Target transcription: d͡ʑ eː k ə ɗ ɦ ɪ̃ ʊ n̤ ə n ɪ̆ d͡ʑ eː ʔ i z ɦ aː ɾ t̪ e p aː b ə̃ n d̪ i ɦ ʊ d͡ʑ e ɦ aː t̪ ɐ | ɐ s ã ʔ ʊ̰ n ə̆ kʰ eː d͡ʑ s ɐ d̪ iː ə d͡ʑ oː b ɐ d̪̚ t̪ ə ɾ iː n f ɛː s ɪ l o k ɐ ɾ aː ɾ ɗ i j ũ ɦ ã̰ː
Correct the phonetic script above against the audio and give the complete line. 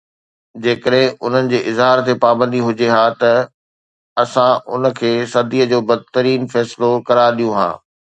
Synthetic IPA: d͡ʑ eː k ə ɗ ɦ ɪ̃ ʊ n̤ ə n ɪ̆ d͡ʑ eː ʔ ɪ z ɦ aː ɾ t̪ e p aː b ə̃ n d̪ i ɦ ʊ d͡ʑ e ɦ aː t̪ ɐ | ɐ s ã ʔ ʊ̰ n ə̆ kʰ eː s ɐ d̪ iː ə d͡ʑ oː b ɐ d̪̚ t̪ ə ɾ iː n f ɛː s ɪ l o k ɐ ɾ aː ɾ ɗ i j ũ ɦ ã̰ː